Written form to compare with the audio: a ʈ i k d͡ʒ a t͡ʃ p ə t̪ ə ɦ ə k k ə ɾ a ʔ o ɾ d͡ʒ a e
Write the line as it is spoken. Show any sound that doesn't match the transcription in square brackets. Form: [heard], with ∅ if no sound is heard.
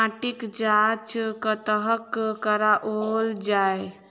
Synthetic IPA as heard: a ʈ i k d͡ʒ a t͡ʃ [k] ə t̪ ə ɦ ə k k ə ɾ a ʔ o [l] d͡ʒ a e